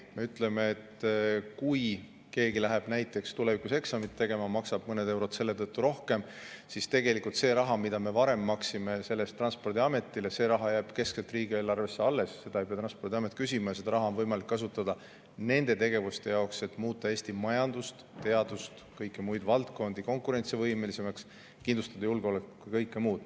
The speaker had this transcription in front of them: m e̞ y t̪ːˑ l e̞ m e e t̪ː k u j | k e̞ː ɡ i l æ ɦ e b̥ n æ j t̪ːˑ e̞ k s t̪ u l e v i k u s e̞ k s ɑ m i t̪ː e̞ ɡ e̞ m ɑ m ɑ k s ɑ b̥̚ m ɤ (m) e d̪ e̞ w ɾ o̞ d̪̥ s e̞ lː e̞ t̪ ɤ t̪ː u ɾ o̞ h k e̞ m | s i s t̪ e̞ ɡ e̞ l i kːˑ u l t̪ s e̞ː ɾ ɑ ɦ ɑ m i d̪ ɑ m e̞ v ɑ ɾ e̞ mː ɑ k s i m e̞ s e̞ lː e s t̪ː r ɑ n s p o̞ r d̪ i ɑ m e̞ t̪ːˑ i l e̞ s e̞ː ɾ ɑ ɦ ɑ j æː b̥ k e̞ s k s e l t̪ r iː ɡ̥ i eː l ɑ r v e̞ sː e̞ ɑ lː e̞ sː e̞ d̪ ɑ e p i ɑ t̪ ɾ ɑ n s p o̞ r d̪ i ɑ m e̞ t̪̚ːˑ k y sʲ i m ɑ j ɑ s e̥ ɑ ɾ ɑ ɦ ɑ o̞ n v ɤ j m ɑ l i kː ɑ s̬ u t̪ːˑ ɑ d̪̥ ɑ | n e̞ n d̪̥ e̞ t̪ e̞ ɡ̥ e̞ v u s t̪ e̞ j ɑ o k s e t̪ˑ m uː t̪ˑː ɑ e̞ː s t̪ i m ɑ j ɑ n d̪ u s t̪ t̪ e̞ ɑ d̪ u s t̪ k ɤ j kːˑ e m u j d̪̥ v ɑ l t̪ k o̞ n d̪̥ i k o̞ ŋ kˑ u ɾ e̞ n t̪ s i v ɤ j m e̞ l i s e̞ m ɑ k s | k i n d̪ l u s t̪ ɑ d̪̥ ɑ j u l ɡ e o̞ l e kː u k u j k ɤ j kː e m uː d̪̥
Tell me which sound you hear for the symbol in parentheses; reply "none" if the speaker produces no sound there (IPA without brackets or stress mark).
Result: n